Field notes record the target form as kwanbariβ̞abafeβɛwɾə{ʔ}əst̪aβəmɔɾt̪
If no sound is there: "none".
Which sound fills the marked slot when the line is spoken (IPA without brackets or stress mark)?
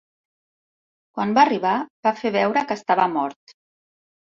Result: k